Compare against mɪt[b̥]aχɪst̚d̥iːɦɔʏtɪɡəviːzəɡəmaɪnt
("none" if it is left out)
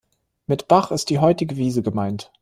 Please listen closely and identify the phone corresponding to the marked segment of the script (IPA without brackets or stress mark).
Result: b̥